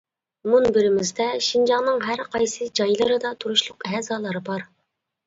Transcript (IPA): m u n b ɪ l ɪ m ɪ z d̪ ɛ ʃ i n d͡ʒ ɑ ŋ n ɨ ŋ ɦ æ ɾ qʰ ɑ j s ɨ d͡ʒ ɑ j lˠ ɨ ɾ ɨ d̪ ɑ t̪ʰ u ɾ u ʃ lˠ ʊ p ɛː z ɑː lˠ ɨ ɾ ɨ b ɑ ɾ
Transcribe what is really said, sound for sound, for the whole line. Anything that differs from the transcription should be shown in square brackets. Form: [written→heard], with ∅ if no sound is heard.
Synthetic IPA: m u n b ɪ [l→ɾ] ɪ m ɪ z d̪ ɛ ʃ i n d͡ʒ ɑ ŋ n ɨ ŋ ɦ æ ɾ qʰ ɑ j s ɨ d͡ʒ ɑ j lˠ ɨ ɾ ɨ d̪ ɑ t̪ʰ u ɾ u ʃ lˠ ʊ [p→q] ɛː z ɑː lˠ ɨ ɾ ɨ b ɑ ɾ